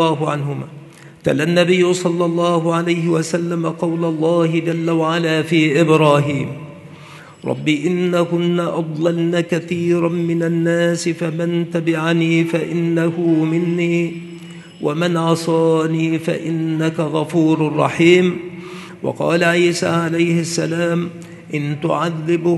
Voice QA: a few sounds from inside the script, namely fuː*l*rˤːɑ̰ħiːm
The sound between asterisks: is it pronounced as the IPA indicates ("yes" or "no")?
no